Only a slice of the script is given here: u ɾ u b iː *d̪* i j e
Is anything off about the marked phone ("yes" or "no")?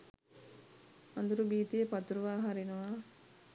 yes